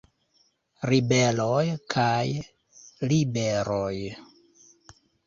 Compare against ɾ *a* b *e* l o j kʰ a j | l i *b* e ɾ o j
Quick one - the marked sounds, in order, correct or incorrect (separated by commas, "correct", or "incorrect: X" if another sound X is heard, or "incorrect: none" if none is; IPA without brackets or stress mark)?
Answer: incorrect: i, correct, correct